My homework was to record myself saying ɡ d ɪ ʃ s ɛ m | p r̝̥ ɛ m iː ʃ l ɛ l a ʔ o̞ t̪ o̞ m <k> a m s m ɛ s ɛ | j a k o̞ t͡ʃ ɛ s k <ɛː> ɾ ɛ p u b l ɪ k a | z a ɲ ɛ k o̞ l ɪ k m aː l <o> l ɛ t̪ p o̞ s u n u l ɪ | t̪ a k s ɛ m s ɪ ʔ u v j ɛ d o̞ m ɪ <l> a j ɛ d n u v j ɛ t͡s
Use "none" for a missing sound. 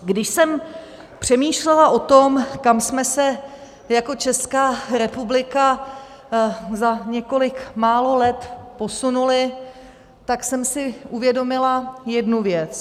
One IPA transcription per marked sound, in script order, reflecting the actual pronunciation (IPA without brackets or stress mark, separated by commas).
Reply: k, aː, o, l